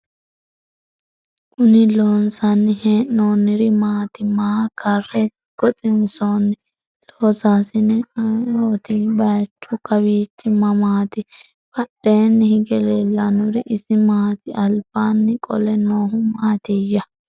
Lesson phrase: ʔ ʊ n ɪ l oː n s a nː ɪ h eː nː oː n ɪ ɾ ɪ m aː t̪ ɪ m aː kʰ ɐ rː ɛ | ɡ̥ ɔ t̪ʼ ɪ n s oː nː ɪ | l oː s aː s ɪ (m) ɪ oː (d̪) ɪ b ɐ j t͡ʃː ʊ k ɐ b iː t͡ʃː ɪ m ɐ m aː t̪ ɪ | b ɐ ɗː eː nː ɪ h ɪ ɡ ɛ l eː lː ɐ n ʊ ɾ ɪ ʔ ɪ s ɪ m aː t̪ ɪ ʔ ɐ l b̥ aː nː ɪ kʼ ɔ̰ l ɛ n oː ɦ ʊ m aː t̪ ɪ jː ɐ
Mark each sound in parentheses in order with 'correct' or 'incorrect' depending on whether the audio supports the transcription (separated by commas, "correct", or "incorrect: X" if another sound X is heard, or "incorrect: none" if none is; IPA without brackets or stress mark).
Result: incorrect: n, incorrect: t̪